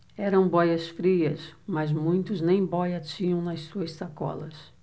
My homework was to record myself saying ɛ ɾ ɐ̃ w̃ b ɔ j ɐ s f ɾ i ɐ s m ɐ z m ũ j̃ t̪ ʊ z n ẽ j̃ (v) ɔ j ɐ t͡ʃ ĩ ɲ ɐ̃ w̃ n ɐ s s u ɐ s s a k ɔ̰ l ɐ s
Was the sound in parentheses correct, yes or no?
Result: no